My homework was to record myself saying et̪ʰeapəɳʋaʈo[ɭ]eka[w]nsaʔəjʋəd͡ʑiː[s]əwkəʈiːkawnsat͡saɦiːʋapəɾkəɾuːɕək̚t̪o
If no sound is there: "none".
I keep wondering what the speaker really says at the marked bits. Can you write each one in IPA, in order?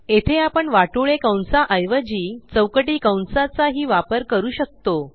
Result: ɭ, w, t͡s

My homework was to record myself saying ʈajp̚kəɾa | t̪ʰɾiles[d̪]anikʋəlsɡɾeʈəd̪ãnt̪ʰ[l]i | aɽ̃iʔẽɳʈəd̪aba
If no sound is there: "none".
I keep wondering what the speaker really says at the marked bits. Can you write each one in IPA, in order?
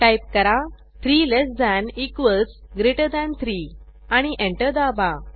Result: d̪, ɾ

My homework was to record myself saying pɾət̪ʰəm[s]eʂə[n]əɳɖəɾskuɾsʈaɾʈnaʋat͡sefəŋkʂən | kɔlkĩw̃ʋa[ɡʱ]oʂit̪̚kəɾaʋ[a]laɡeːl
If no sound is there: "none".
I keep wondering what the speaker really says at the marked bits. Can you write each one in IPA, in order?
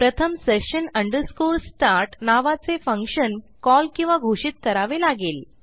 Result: s, n, ɡʱ, e

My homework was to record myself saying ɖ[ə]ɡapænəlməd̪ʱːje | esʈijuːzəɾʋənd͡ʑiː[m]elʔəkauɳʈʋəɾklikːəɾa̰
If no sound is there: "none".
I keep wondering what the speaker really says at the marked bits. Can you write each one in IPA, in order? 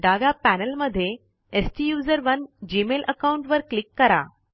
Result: a, m

